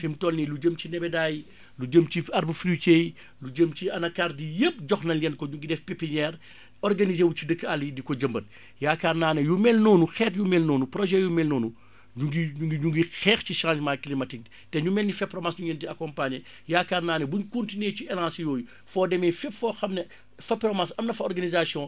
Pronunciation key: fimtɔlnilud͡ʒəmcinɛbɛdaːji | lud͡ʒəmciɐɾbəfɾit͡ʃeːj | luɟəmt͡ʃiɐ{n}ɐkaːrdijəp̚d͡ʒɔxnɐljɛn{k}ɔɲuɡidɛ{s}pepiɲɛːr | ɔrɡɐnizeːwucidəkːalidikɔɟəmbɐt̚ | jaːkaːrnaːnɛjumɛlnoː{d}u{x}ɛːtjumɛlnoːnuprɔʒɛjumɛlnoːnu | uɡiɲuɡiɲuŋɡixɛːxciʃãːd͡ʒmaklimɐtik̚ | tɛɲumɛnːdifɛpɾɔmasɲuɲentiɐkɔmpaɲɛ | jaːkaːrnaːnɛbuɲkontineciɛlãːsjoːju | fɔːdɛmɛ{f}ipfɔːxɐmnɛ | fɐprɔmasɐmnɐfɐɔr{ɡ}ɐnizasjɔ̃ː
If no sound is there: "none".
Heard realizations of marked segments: n, k, f, n, x, f, ɡ

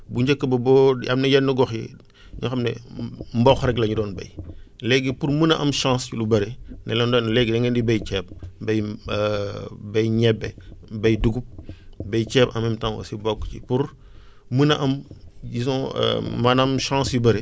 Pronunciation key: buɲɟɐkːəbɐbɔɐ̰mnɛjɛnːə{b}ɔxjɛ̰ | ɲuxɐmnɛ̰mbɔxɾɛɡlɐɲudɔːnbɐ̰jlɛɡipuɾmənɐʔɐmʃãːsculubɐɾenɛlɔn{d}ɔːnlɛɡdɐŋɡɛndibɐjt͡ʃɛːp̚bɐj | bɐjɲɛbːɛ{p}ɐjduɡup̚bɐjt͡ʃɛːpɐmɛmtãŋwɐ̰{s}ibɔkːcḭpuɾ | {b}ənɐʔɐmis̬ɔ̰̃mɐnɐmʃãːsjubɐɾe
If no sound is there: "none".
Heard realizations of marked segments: ɡ, d, b, s, m

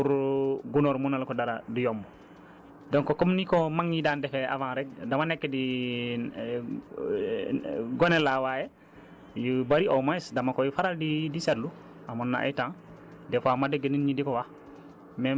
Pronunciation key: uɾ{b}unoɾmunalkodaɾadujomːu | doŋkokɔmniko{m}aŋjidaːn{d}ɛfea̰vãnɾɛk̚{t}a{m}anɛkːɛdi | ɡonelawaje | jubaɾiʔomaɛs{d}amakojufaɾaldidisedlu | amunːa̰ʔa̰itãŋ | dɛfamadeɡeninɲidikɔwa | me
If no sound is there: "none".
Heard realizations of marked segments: ɡ, m, d, d, m, d

